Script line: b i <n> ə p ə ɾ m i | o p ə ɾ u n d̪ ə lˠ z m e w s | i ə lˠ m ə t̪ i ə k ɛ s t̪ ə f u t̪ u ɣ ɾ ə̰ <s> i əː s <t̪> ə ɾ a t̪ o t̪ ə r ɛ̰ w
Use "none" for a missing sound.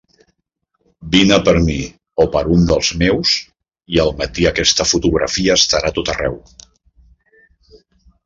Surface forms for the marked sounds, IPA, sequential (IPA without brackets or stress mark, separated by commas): n, f, t̪